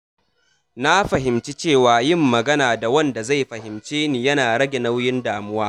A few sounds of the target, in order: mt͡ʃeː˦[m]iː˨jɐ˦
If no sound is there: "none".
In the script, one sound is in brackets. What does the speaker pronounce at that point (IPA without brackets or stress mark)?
n